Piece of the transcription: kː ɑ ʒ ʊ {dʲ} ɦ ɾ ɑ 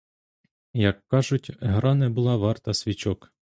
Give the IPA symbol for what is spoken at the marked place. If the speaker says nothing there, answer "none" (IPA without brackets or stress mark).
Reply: tʲ